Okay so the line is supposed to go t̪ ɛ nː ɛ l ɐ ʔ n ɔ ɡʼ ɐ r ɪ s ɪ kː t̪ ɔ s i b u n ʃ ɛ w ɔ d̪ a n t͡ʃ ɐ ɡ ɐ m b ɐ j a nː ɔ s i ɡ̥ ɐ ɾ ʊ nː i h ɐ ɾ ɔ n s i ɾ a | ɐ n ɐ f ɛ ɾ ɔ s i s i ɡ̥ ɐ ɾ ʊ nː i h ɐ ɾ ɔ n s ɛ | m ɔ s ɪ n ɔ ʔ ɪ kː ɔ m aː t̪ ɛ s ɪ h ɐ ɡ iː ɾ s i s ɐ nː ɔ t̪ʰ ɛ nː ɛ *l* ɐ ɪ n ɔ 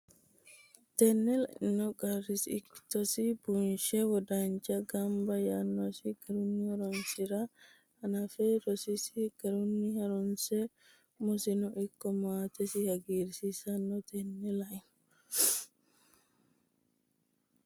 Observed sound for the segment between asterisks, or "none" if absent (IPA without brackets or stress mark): l